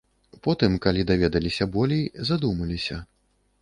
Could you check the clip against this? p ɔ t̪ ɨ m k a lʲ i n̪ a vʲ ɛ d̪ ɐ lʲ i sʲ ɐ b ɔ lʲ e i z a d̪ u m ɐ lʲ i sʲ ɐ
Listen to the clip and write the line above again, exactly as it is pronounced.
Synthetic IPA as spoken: p ɔ t̪ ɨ m k a lʲ i d̪ a vʲ ɛ d̪ ɐ lʲ i sʲ ɐ b ɔ lʲ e j z a d̪ u m ɐ lʲ i sʲ ɐ